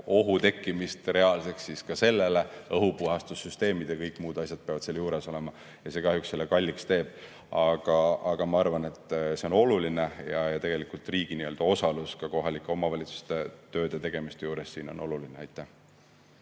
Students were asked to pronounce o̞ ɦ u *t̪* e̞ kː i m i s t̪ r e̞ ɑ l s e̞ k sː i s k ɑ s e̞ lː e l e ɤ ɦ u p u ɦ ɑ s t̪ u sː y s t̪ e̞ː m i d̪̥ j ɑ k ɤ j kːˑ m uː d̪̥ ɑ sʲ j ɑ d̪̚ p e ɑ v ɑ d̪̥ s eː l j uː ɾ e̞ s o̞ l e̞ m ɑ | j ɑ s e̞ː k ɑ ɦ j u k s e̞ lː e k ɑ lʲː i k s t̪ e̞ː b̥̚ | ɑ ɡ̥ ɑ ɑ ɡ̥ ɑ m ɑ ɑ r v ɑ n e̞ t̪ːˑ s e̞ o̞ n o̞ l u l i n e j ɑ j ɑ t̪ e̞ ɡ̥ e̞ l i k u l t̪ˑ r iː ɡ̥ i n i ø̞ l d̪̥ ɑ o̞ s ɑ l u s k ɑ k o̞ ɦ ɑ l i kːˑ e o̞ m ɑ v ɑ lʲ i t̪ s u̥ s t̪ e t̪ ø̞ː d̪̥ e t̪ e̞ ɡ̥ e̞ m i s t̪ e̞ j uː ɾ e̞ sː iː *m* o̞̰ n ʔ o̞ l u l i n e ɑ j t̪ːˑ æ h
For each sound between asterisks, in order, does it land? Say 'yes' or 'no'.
yes, no

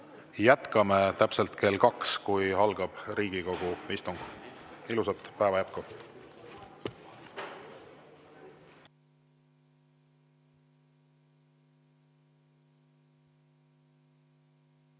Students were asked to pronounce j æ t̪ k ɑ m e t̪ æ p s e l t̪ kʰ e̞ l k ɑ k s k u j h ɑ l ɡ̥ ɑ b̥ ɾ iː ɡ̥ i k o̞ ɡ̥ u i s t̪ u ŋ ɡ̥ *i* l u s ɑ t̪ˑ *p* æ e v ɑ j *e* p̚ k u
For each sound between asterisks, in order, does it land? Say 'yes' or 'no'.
yes, yes, no

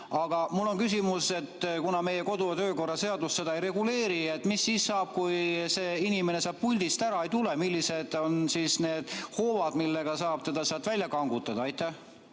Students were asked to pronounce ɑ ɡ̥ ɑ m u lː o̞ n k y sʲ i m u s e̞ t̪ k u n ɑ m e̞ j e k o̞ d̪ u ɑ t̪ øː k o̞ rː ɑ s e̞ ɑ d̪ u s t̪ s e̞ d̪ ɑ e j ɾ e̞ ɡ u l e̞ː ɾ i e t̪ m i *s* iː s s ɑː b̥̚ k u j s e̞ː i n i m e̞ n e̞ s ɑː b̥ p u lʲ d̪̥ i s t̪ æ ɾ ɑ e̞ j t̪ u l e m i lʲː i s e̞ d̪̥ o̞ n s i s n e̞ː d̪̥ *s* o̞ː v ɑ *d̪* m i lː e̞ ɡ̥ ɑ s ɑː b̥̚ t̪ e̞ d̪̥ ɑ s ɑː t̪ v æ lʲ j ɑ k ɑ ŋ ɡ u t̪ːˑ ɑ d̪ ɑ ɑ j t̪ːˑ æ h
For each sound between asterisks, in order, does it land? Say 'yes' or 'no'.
no, no, yes

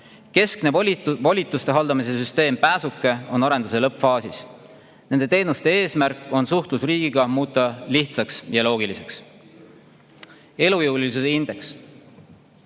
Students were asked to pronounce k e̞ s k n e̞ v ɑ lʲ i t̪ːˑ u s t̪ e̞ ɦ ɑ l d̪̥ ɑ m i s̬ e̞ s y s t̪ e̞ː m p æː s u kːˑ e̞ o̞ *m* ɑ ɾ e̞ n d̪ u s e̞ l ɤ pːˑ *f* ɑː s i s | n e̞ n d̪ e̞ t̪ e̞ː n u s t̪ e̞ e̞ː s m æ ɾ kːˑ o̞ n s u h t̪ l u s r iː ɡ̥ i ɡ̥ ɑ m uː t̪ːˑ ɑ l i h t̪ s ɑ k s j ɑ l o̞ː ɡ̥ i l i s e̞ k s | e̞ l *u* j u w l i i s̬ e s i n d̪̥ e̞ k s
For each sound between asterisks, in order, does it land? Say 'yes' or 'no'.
no, yes, yes

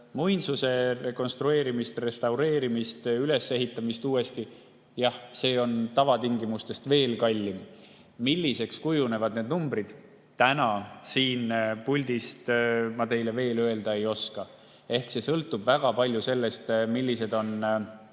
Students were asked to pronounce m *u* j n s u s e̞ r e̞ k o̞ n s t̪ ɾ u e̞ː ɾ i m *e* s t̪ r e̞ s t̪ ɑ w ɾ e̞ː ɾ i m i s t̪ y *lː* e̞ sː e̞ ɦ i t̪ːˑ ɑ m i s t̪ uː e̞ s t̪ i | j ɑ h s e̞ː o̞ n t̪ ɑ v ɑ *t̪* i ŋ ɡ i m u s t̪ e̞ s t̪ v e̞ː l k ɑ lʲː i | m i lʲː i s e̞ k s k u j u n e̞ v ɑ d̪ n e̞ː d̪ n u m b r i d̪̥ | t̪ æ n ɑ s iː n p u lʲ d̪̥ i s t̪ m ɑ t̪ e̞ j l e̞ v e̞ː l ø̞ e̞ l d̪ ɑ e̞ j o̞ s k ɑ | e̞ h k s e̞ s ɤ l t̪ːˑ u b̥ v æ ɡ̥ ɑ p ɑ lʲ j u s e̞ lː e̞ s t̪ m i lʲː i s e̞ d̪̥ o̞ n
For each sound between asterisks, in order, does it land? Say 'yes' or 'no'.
yes, no, no, yes

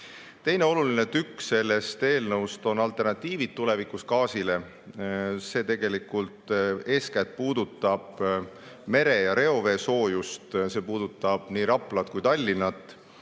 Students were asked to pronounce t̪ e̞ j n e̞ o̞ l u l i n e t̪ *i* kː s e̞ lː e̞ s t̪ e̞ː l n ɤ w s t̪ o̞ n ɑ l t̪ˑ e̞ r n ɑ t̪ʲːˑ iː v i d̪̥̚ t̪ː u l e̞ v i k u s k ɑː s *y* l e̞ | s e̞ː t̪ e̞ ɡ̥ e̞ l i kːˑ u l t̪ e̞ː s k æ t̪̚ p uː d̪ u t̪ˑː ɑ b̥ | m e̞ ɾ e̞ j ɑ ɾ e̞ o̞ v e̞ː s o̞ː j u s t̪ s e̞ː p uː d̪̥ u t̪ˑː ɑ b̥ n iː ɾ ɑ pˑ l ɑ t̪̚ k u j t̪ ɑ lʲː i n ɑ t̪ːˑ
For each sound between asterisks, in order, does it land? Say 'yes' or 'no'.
no, no

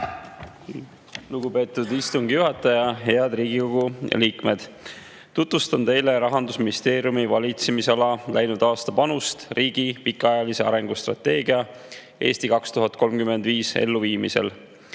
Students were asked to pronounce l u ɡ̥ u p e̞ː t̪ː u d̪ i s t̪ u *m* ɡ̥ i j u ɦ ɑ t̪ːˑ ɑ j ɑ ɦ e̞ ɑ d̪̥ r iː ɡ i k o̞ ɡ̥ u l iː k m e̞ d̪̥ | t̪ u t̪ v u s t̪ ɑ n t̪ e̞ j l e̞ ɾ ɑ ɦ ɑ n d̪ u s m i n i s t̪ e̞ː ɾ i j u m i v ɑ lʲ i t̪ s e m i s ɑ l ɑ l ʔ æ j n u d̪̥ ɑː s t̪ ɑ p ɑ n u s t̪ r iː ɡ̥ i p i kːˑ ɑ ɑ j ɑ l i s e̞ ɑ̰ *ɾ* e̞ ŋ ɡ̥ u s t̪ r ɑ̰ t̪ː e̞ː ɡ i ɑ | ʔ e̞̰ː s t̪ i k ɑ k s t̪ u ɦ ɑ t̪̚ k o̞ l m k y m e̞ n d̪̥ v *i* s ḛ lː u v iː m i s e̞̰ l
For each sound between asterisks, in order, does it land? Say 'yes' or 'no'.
no, yes, no

